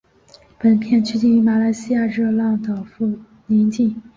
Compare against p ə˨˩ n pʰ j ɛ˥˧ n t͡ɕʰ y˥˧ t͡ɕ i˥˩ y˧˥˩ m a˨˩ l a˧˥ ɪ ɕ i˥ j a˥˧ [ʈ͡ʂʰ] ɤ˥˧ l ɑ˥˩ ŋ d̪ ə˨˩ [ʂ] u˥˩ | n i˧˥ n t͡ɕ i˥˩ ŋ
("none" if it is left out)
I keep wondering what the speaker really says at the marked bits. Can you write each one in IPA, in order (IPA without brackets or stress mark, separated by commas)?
ʈ͡ʂ, f